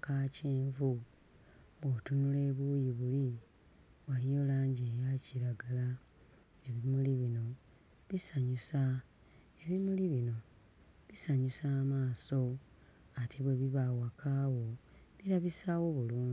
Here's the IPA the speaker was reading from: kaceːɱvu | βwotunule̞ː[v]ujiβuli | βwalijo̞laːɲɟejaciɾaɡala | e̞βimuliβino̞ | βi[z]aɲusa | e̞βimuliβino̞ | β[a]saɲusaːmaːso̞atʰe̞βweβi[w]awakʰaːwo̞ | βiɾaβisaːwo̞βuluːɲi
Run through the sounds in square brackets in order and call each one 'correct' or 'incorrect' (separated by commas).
incorrect, incorrect, incorrect, incorrect